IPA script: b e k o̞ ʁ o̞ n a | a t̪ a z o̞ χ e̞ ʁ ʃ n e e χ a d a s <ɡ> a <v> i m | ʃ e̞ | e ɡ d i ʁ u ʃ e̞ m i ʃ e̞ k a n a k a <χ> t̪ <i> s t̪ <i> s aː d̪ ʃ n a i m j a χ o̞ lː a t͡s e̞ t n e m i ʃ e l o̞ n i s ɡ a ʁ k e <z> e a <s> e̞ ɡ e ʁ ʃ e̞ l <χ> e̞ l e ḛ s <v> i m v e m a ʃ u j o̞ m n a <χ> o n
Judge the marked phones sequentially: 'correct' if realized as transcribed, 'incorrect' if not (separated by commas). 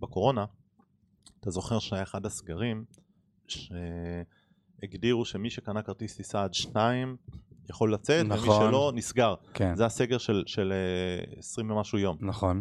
correct, incorrect, incorrect, correct, correct, correct, correct, incorrect, incorrect, correct